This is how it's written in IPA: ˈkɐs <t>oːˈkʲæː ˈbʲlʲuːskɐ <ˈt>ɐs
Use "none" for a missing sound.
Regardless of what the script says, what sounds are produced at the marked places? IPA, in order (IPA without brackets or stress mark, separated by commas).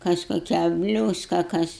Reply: k, k